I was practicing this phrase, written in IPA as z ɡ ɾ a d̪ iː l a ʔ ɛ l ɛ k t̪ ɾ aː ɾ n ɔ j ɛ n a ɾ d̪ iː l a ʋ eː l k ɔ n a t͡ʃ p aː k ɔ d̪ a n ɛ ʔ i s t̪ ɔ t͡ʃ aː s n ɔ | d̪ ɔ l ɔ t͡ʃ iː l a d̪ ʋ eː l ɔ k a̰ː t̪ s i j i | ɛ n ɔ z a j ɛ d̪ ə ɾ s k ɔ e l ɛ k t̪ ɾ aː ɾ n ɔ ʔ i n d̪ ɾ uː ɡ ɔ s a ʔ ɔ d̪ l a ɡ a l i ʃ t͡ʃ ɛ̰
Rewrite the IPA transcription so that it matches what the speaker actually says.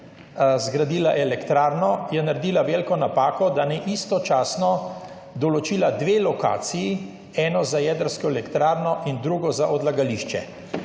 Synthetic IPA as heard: z ɡ ɾ a d̪ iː l a ʔ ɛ l ɛ k t̪ ɾ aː ɾ n ɔ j ɛ n a ɾ d̪ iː l a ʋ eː l k ɔ n a p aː k ɔ d̪ a n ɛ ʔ i s t̪ ɔ t͡ʃ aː s n ɔ | d̪ ɔ l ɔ t͡ʃ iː l a d̪ ʋ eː l ɔ k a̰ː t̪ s i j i | ɛ n ɔ z a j ɛ d̪ ə ɾ s k ɔ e l ɛ k t̪ ɾ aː ɾ n ɔ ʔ i n d̪ ɾ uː ɡ ɔ z a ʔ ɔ d̪ l a ɡ a l i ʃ t͡ʃ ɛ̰